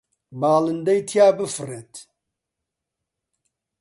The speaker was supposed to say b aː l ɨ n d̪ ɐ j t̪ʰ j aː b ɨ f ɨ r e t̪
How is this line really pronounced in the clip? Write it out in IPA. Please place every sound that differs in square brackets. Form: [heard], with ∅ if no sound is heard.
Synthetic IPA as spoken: b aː l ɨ n d̪ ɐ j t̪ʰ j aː b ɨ f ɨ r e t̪